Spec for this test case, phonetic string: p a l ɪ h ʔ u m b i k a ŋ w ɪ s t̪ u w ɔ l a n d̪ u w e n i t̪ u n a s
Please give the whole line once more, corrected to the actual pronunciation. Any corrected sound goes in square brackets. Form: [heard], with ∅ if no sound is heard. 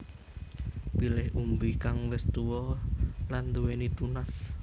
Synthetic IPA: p [i] l ɪ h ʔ u m b i k a ŋ w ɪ s t̪ u w ɔ l a n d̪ u w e n i t̪ u n a s